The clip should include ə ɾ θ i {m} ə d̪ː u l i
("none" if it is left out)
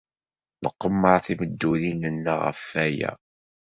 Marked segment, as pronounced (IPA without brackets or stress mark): m